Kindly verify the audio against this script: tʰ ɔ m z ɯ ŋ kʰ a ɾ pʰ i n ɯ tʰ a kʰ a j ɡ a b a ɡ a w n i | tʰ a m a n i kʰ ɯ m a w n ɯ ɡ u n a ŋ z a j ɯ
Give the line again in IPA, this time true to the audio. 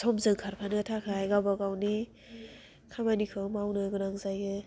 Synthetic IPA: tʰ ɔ m z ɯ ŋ kʰ a ɾ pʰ a n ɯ tʰ a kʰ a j ɡ a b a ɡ a w n i | kʰ a m a n i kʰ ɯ m a w n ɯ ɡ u n a ŋ z a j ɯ